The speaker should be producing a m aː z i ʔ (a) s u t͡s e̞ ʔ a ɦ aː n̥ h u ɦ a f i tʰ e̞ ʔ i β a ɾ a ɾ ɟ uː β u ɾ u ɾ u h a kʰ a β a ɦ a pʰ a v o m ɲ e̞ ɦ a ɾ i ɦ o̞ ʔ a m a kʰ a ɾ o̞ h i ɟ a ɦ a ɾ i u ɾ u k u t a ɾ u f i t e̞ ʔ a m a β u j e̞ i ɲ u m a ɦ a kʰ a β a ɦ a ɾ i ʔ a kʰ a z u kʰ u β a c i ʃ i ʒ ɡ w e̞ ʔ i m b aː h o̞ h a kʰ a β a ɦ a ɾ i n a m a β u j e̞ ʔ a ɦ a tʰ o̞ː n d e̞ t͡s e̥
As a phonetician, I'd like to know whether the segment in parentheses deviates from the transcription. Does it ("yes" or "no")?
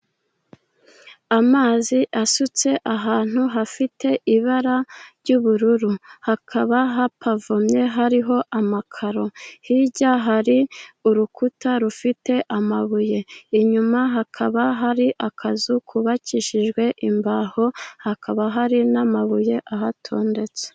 no